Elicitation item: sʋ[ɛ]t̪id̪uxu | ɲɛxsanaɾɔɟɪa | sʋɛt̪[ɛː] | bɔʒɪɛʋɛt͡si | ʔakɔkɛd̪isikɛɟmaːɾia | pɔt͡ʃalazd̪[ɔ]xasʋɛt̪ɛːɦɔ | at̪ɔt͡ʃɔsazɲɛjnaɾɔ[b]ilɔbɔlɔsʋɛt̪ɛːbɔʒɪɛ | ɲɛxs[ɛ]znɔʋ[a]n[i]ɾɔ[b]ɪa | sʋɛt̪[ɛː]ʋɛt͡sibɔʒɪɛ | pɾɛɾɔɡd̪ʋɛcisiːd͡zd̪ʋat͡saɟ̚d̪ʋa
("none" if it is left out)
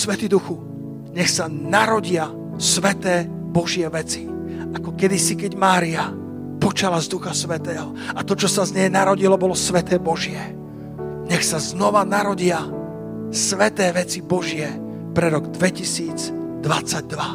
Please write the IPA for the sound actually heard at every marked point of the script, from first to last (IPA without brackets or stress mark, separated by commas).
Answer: ɛ, ɛː, u, ɟ, a, a, a, ɟ, ɛː